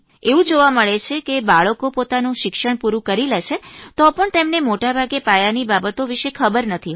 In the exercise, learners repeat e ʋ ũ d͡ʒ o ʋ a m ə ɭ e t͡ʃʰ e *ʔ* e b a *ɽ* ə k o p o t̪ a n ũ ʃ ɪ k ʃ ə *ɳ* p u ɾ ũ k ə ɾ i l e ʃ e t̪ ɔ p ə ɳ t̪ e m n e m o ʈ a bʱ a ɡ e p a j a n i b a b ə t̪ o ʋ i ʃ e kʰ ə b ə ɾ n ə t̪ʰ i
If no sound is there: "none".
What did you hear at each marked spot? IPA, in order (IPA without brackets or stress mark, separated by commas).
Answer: k, ɭ, ɳ